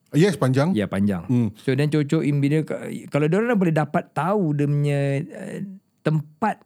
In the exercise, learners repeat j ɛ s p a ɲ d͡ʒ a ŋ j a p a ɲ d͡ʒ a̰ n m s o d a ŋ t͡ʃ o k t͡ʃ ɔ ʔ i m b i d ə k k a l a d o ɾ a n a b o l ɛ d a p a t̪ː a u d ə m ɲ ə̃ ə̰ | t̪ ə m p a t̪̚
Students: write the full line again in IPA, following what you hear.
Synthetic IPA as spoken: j ɛ s p a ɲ d͡ʒ a ŋ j a p a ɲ d͡ʒ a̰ ŋ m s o d a n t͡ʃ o t͡ʃ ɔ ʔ i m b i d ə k k a l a d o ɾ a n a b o l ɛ d a p a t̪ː a u d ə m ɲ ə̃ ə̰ | t̪ ə m p a t̪̚